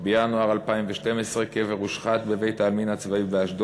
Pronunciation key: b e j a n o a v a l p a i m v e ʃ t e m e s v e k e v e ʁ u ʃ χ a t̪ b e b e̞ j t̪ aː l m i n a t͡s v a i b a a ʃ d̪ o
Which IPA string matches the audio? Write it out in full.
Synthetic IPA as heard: b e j a n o a ʁ a l p a i m v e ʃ t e m e s ʁ e k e v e ʁ u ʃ χ a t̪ b e v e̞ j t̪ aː l m i n a t͡s v a i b e a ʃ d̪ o